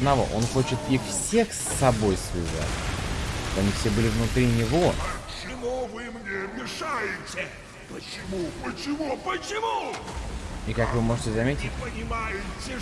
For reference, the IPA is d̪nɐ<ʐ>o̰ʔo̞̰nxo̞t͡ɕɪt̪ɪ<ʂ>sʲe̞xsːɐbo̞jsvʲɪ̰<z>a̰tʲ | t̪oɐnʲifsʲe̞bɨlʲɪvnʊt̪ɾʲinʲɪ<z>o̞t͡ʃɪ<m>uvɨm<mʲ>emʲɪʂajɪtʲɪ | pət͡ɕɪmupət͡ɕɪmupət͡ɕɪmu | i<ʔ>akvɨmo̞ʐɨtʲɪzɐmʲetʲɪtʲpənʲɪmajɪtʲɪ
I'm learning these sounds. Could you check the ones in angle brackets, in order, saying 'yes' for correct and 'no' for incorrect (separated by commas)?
no, no, yes, no, yes, no, no